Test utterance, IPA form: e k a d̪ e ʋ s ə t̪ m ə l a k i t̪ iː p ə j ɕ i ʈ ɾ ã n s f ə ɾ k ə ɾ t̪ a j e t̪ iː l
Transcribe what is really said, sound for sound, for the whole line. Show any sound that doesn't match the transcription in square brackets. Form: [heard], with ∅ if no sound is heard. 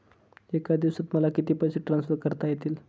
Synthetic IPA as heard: e k a d̪ [i] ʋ s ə t̪ m ə l a k i t̪ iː p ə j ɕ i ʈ ɾ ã n s f ə ɾ k ə ɾ t̪ a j e t̪ iː l